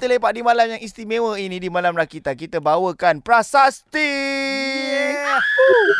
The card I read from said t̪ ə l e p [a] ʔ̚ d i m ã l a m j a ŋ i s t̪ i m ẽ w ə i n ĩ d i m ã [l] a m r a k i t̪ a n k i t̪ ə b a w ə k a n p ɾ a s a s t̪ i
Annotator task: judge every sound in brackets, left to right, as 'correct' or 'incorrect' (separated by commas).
correct, correct